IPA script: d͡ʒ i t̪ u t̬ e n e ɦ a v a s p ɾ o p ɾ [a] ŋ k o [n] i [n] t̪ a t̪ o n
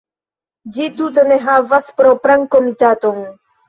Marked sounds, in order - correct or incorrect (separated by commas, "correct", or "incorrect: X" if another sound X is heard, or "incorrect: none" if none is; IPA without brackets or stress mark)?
correct, incorrect: m, incorrect: none